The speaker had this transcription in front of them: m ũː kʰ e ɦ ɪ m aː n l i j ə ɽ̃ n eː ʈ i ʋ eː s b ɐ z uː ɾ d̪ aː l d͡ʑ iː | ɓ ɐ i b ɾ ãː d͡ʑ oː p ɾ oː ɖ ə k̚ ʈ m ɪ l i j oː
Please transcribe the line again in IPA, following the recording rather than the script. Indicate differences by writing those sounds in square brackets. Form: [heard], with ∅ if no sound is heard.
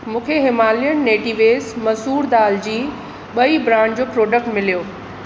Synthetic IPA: m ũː kʰ e ɦ ɪ m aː [∅] l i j ə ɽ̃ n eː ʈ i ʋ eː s [m] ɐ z uː ɾ d̪ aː l d͡ʑ iː | ɓ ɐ i b ɾ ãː d͡ʑ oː p ɾ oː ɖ ə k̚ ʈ m ɪ l i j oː